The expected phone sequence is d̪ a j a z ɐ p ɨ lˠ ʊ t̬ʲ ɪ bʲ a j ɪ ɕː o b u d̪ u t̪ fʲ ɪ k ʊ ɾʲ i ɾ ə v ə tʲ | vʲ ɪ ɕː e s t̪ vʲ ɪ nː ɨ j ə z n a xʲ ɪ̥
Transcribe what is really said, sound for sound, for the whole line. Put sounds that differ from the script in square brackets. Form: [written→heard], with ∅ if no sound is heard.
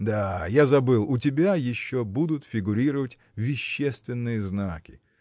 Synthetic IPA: d̪ a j a z ɐ [p→b] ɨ lˠ ʊ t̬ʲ ɪ bʲ a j ɪ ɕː o b u d̪ [u→ʊ] t̪ fʲ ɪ [k→ɡ] ʊ ɾʲ i ɾ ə v ə tʲ | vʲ ɪ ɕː e s t̪ vʲ ɪ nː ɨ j ə z n a [xʲ→kʲ] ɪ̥